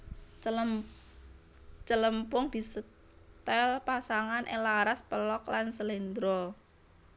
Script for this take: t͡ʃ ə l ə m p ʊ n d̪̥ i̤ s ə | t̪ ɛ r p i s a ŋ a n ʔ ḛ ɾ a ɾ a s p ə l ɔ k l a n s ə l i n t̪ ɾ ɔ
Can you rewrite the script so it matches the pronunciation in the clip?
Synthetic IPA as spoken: t͡ʃ ə l ə m p ʊ ŋ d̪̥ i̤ s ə | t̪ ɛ l p a s a ŋ a n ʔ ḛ l a ɾ a s p ə l ɔ k l a n s ə l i n d̪ ɾ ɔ